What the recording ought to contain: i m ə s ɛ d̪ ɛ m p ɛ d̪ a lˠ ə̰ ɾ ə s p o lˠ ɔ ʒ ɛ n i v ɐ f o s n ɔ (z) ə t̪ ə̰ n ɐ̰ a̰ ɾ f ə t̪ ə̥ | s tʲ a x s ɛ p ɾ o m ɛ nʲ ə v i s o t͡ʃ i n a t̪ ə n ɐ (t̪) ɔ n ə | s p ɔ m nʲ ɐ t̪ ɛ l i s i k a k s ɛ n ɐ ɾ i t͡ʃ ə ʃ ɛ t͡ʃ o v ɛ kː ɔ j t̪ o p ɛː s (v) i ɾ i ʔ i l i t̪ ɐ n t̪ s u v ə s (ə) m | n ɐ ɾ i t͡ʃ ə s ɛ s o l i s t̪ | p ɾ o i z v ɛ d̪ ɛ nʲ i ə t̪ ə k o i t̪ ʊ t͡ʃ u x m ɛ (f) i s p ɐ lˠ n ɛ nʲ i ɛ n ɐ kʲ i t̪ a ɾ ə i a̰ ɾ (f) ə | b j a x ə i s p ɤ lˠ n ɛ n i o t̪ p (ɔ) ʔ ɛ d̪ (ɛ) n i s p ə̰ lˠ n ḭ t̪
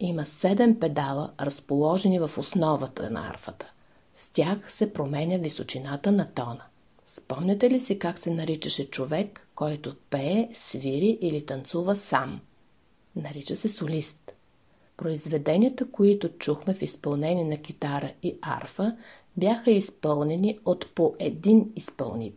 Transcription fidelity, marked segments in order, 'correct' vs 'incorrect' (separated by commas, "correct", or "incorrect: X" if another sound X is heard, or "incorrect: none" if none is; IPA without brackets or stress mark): incorrect: v, correct, correct, incorrect: a, correct, correct, incorrect: o, incorrect: i